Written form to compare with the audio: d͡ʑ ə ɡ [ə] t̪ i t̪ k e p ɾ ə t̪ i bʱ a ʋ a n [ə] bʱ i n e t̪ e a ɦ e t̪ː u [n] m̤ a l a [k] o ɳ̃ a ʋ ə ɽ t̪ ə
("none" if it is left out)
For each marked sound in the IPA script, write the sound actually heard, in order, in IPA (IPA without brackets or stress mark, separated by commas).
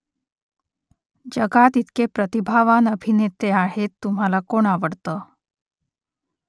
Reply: a, ə, none, k